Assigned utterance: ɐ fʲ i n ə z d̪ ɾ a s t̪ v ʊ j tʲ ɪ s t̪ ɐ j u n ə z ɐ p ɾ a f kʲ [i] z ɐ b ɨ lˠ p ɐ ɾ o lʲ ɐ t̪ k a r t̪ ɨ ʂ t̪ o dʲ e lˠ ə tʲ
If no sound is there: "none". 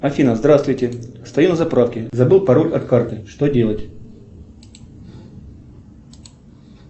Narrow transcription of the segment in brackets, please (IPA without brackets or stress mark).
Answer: ɪ